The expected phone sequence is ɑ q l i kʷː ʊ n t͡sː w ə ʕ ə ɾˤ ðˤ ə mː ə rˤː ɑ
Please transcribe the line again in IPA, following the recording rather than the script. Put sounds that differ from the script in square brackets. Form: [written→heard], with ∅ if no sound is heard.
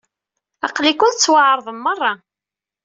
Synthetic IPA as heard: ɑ q l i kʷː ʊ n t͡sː w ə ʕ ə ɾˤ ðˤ ə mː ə rˤː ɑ